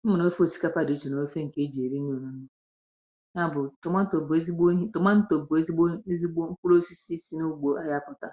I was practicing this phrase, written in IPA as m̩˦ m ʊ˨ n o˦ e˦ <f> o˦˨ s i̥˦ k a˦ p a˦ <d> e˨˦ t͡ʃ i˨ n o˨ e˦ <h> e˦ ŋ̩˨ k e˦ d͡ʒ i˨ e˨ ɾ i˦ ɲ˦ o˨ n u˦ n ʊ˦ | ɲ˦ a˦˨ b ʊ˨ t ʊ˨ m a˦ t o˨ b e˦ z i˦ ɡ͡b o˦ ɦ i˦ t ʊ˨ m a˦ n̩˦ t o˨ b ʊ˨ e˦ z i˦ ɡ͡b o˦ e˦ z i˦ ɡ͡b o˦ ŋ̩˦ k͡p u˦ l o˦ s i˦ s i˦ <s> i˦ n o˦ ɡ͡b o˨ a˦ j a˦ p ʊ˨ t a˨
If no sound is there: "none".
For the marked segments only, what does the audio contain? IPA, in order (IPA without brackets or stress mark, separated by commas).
f, d, f, s